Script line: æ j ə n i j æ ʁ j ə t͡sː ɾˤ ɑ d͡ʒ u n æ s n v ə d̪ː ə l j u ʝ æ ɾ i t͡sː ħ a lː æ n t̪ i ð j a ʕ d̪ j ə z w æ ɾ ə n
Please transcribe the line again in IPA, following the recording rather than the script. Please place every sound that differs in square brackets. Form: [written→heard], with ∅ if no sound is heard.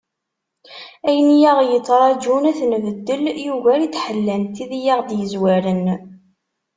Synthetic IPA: æ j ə n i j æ ʁ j ə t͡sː ɾˤ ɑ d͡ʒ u n æ [s→θ] n v ə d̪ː ə l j u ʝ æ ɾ i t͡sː ħ [a→ə] lː æ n t̪ i ð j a [ʕ→ʁ] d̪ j ə z w æ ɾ ə n